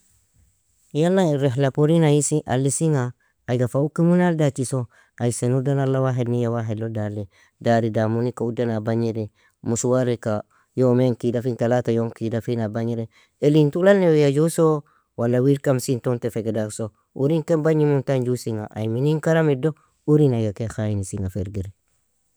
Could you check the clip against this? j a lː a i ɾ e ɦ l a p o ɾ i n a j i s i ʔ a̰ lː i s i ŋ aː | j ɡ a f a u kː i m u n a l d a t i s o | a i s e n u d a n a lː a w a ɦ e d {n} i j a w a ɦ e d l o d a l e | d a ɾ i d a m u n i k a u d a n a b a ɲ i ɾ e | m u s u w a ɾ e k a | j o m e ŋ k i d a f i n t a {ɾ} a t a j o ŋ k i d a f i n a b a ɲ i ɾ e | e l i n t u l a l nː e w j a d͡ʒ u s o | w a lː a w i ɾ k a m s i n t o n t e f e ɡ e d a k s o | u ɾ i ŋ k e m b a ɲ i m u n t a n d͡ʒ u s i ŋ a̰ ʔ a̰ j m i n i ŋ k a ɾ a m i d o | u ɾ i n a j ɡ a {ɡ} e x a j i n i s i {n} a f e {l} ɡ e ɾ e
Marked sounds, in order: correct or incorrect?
correct, incorrect: l, incorrect: k, incorrect: ŋ, incorrect: ɾ

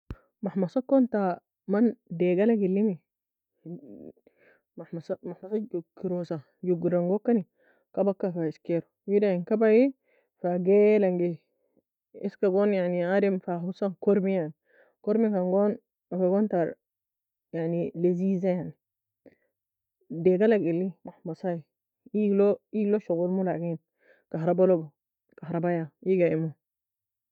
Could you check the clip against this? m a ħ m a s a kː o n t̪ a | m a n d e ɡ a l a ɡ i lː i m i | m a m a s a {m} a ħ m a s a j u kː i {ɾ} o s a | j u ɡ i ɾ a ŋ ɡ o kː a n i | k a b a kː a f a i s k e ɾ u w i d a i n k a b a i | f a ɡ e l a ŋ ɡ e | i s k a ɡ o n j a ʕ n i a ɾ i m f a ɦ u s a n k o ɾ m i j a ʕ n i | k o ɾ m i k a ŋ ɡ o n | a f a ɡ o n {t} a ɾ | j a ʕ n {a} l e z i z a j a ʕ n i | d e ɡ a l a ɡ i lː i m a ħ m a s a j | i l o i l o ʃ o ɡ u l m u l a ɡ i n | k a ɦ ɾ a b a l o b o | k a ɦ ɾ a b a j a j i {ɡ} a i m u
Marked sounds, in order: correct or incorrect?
correct, correct, correct, incorrect: i, correct

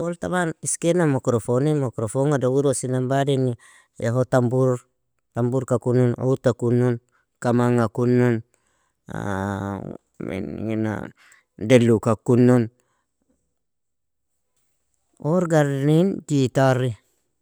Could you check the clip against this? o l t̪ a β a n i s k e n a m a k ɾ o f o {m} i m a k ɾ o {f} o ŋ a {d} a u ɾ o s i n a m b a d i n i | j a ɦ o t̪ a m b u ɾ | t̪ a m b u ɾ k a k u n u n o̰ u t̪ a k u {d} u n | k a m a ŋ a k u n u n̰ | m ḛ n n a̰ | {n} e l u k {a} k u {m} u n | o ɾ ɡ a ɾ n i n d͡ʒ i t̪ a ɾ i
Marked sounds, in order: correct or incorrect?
incorrect: n, correct, correct, incorrect: n, incorrect: d, correct, incorrect: n

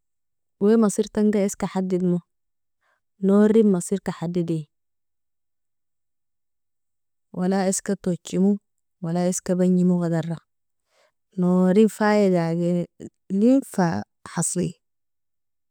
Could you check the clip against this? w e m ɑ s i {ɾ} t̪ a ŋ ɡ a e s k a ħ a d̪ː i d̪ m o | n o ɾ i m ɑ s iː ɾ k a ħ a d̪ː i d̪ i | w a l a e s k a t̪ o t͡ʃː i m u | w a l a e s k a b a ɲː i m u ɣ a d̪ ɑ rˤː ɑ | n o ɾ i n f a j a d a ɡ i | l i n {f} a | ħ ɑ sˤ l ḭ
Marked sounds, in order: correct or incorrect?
correct, correct

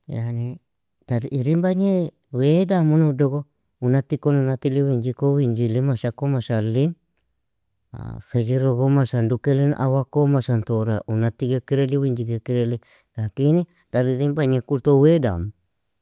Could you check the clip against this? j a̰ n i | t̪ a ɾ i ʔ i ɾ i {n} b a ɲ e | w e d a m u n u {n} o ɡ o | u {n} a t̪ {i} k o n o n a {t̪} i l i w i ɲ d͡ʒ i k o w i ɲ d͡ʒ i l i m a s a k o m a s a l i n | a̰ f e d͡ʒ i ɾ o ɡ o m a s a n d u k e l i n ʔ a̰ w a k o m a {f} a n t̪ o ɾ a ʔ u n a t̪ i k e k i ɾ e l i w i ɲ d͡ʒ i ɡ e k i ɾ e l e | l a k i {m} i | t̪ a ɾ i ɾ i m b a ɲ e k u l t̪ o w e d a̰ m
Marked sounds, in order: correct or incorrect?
incorrect: m, incorrect: d, correct, correct, correct, incorrect: s, incorrect: n

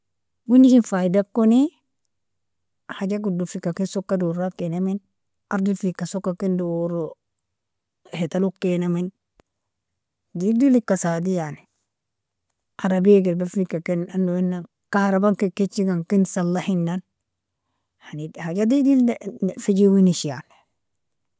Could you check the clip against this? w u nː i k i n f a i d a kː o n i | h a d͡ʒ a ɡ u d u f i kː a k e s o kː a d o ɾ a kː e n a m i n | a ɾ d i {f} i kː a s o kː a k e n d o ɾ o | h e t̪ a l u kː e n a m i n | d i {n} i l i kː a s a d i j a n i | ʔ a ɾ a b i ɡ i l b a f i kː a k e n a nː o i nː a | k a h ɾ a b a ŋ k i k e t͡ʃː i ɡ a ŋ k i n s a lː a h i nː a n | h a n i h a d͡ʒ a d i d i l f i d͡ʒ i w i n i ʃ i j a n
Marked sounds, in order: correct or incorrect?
correct, incorrect: d

